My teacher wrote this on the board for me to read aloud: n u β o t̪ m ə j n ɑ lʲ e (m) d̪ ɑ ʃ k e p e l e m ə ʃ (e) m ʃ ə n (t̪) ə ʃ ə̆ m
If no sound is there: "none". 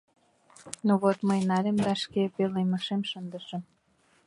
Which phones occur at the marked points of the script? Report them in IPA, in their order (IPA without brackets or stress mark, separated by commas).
m, e, d̪